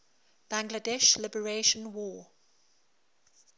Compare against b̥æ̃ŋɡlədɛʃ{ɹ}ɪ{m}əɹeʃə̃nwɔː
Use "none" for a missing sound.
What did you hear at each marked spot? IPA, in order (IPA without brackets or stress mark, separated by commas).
l, b